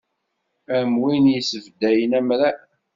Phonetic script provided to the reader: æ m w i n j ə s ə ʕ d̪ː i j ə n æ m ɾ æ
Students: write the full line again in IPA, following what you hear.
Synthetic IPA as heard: æ m w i n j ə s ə v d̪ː æ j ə n æ m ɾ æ